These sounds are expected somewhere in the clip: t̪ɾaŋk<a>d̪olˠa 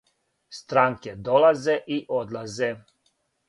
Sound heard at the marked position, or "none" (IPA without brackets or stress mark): e